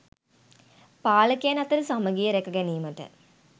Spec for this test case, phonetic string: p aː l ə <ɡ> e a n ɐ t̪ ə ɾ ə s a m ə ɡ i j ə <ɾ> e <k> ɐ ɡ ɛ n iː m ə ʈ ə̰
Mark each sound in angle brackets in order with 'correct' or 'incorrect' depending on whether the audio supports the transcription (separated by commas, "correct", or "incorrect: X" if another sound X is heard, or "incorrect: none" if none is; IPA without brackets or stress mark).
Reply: incorrect: k, correct, correct